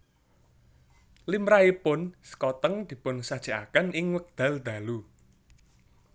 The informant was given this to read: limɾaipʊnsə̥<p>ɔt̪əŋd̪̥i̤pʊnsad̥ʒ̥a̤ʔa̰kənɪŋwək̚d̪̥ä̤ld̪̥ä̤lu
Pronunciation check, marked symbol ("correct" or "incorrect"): incorrect